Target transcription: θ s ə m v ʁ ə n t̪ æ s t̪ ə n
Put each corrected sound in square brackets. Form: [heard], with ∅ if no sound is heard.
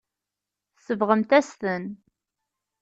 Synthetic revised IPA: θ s ə [∅] v ʁ ə [m] t̪ æ s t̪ ə n